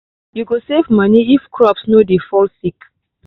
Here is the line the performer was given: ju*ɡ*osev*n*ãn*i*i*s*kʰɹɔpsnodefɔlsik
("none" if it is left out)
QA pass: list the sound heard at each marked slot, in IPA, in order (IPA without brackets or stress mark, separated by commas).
ɡ, m, i, f